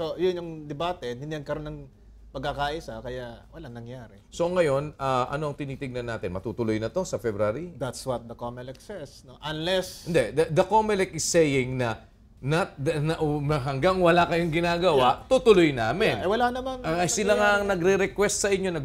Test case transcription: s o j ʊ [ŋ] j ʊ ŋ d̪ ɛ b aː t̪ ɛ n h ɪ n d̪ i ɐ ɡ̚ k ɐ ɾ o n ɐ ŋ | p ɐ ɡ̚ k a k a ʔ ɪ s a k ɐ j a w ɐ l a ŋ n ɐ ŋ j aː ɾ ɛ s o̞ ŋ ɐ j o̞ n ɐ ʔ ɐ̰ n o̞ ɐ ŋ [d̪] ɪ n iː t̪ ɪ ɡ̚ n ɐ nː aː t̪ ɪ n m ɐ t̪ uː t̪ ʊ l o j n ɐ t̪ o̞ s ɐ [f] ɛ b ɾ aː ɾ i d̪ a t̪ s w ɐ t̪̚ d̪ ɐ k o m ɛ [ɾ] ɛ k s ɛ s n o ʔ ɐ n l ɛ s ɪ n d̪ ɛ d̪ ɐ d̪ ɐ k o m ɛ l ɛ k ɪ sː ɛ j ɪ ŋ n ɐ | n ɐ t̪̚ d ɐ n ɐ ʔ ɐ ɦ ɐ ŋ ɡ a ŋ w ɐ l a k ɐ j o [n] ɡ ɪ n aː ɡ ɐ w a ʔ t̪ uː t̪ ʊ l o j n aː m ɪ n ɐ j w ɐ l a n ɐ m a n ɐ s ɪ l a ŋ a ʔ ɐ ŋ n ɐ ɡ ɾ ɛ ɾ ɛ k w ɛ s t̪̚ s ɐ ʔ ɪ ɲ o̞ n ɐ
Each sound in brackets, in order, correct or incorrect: incorrect: n, incorrect: t̪, correct, incorrect: l, incorrect: ŋ

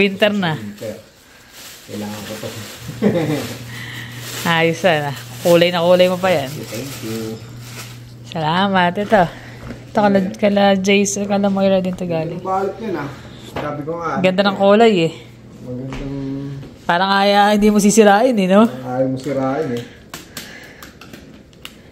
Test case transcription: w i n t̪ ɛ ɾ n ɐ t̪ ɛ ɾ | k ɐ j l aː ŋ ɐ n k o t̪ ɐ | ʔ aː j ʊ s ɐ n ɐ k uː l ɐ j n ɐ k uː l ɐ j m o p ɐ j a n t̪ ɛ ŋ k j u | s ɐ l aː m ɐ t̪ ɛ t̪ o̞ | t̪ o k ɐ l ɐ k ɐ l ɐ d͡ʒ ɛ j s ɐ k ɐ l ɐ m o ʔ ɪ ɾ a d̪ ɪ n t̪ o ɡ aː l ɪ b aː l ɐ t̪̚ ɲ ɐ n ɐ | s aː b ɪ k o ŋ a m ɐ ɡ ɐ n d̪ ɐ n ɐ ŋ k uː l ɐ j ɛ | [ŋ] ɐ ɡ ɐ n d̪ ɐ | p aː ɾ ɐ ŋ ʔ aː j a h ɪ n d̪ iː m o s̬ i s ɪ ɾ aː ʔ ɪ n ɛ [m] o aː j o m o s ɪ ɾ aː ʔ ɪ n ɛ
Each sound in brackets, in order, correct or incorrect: incorrect: m, incorrect: n

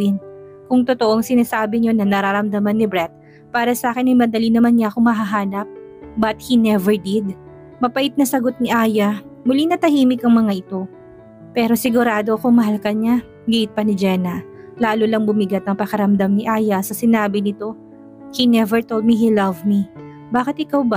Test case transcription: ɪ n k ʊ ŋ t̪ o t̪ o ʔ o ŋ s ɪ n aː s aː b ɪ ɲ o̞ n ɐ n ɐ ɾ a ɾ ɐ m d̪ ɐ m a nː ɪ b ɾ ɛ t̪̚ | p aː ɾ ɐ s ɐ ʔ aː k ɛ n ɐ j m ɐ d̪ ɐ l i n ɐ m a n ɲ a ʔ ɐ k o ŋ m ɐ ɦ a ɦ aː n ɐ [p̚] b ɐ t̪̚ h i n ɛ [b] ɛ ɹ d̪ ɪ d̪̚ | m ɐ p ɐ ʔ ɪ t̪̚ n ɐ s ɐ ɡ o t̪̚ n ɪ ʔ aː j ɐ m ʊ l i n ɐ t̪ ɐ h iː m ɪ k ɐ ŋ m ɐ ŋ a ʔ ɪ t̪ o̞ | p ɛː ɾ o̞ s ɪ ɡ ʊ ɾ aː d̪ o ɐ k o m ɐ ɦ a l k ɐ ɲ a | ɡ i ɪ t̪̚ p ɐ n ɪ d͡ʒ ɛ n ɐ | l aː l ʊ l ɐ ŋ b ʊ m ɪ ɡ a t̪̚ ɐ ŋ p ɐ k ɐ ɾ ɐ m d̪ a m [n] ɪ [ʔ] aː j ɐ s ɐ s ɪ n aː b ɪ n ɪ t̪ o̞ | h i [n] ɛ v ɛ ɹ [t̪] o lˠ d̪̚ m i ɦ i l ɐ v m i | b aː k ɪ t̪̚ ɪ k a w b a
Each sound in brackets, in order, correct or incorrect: correct, incorrect: v, correct, correct, correct, correct

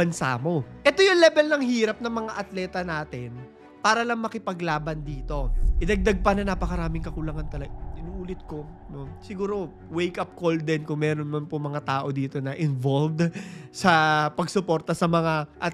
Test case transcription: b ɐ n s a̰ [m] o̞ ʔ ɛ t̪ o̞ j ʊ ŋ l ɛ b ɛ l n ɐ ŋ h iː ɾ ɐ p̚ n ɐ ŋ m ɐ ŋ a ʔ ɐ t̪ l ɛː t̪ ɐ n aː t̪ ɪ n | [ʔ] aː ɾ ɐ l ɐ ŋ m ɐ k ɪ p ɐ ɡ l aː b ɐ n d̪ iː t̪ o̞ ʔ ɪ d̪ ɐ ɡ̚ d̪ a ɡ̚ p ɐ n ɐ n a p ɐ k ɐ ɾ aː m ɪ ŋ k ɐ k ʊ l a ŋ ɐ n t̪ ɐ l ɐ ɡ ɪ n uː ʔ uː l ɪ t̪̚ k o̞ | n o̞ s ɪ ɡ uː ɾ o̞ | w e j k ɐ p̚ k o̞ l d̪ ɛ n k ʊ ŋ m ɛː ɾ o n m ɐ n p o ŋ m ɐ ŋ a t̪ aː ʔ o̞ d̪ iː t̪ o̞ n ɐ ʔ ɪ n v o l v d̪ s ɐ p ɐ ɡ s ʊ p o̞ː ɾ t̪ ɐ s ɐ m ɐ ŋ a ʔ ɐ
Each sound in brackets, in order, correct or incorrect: correct, incorrect: p

